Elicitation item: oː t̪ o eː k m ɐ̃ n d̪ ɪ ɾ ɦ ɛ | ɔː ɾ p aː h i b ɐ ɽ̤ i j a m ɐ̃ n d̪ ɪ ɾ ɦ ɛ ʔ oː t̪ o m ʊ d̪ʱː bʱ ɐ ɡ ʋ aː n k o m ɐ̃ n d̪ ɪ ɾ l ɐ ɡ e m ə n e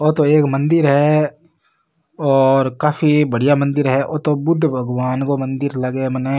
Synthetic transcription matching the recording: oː t̪ o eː k m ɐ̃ n d̪ ɪ ɾ ɦ ɛ | ɔː ɾ k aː f i b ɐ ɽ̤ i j a m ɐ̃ n d̪ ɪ ɾ ɦ ɛ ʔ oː t̪ o b ʊ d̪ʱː bʱ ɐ ɡ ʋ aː n k o m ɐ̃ n d̪ ɪ ɾ l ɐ ɡ e m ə n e